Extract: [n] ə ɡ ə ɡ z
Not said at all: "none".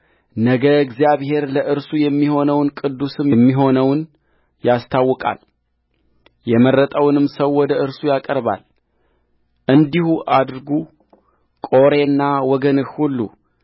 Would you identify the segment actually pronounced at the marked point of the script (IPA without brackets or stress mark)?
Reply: n